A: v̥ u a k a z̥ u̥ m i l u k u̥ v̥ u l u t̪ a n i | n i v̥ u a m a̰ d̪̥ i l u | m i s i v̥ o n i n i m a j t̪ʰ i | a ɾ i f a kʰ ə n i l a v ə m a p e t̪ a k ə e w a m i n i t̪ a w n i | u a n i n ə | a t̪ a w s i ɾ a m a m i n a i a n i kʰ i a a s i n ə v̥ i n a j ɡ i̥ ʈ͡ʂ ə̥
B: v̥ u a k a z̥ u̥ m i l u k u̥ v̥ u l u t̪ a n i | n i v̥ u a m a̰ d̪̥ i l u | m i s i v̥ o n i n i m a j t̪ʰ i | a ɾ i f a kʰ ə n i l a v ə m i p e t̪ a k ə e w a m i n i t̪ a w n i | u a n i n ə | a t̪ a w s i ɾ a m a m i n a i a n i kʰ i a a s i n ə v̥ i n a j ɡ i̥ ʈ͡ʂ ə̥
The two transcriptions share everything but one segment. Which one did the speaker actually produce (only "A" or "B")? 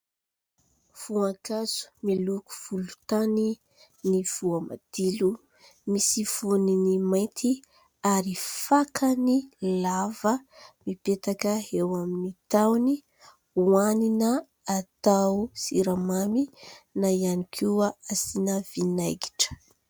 B